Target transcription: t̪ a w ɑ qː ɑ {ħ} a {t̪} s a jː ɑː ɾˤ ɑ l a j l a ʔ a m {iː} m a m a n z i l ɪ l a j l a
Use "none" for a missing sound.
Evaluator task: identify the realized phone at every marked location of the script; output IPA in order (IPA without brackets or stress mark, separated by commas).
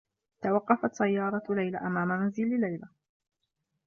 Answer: f, t̪, aː